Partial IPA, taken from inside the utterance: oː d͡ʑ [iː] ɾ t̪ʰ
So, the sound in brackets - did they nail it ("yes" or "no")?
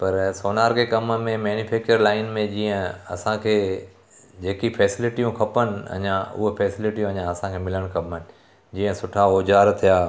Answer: no